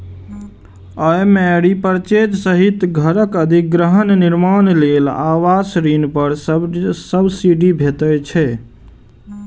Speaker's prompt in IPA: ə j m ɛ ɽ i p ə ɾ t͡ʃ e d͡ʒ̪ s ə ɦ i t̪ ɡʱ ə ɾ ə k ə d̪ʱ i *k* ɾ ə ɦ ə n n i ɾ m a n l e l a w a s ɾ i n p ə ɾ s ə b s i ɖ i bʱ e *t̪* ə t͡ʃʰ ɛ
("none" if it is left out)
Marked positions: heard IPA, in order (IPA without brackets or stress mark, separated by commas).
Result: ɡ, t̪